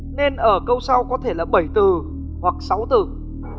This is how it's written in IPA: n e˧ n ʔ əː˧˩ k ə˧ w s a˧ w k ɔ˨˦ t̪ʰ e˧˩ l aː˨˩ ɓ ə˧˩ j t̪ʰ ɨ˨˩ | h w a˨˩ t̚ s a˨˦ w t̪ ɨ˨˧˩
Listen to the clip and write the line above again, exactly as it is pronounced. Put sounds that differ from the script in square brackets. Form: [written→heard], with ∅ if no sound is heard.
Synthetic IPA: n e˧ n ʔ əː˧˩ k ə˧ w s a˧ w k ɔ˨˦ t̪ʰ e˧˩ l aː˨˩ ɓ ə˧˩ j [t̪ʰ→t̪] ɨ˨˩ | h w a˨˩ [t̚→k̚] s a˨˦ w t̪ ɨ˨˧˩